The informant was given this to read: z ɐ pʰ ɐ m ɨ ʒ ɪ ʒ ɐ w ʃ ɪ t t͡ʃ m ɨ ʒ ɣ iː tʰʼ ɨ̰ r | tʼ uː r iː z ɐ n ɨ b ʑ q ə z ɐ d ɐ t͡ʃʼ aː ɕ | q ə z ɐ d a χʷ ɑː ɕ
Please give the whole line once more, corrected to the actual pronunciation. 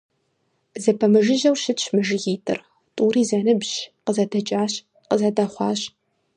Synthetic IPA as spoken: z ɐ pʰ ɐ m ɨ ʒ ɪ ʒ ɐ w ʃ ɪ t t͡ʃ m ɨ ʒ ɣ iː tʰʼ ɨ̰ r | tʼ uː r iː z ɐ n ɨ b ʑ q ə z ɐ d ɐ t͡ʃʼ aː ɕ | q ə z ɐ d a χʷ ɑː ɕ